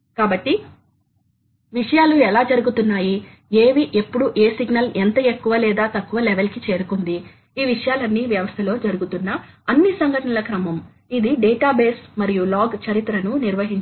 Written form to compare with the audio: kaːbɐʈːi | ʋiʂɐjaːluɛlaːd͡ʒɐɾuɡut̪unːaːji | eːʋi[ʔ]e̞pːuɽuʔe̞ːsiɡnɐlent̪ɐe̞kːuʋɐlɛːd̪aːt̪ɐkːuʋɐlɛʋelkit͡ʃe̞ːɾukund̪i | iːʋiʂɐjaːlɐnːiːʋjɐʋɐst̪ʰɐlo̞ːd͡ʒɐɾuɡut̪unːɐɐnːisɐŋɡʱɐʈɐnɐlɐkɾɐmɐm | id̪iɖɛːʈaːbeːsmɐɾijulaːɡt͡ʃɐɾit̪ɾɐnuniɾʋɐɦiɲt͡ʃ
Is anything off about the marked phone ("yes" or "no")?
no